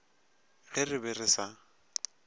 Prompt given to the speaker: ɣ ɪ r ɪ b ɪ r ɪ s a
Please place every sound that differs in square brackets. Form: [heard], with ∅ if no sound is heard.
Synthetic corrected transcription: ɣ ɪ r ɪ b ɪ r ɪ s a